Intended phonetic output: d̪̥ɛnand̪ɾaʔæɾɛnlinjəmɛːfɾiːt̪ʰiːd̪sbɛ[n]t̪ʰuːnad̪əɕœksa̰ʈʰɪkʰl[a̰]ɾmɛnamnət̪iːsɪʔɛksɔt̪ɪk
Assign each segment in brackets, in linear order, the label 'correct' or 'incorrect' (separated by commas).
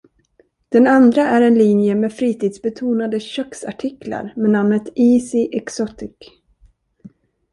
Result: incorrect, correct